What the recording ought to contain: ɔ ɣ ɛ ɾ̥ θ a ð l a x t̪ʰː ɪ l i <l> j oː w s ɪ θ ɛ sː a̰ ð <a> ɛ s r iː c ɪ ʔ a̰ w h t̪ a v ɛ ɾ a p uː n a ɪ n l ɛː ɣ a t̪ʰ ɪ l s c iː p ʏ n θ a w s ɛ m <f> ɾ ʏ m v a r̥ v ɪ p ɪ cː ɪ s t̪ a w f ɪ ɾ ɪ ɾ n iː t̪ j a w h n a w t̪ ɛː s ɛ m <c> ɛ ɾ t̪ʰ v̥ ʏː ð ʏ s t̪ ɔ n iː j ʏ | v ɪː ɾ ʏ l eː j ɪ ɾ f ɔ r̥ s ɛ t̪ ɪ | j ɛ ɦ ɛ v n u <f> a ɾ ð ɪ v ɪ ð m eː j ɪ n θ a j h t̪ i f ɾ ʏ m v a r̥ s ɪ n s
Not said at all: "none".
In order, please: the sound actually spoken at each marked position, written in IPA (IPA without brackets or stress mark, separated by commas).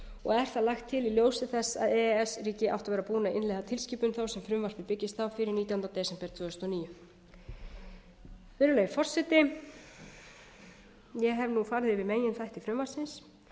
l, ɛ, f, p, f